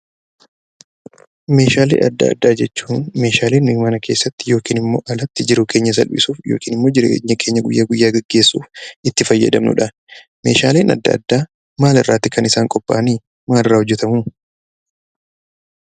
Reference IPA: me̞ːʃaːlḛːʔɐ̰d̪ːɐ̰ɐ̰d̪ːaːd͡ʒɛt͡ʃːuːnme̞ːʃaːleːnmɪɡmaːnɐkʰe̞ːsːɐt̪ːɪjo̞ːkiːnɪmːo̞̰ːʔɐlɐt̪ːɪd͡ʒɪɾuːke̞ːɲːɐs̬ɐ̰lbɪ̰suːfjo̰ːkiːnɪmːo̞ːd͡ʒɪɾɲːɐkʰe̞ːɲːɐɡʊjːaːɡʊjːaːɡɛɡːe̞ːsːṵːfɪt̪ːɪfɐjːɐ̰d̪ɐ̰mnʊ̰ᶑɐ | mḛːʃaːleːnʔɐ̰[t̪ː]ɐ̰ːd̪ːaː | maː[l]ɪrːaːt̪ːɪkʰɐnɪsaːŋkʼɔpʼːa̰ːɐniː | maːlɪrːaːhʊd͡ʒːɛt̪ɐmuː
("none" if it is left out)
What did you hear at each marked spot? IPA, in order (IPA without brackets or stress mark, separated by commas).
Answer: d̪ː, l